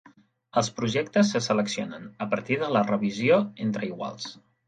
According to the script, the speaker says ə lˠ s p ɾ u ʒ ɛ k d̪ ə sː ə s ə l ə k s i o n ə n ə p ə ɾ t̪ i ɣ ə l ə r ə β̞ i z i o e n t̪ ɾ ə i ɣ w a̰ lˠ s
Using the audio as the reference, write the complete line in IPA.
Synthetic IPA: ə lˠ s p ɾ u ʒ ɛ k t̪ ə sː ə s ə l ə k s i o n ə n ə p ə ɾ t̪ i ð ə l ə r ə β̞ i z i o e n t̪ ɾ ə i ɣ w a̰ lˠ s